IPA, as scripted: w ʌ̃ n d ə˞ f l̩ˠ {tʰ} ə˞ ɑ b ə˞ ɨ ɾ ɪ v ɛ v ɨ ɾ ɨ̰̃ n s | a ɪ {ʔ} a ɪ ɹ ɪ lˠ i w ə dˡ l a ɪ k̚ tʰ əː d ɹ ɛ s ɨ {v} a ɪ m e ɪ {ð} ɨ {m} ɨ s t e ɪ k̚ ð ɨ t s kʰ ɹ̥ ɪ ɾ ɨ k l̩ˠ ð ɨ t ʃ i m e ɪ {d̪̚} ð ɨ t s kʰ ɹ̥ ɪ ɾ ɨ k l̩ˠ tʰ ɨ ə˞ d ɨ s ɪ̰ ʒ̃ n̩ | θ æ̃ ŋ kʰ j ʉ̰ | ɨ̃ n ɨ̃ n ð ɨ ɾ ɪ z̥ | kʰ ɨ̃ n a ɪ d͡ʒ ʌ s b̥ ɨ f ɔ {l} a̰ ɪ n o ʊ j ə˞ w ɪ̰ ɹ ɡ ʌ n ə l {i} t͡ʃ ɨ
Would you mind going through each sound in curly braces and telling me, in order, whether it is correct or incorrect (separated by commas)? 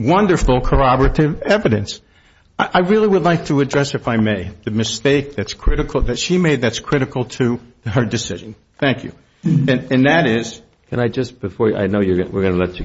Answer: incorrect, correct, incorrect, correct, correct, correct, incorrect, incorrect